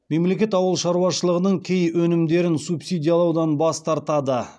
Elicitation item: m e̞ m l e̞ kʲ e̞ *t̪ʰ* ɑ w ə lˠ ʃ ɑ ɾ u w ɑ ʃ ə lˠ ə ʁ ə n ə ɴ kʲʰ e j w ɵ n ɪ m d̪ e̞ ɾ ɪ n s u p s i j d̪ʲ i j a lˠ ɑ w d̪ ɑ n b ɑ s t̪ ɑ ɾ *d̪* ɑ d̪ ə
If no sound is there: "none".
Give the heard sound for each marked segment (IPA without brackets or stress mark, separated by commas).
t̪, t̪